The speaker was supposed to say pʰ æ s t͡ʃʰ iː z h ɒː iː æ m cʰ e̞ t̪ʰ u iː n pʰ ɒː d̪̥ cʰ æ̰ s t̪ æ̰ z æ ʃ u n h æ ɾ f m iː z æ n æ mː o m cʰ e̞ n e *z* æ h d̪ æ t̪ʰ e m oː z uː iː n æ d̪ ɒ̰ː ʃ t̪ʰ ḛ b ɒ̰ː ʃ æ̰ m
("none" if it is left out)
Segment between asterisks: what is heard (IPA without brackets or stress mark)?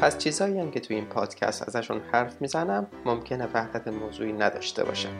v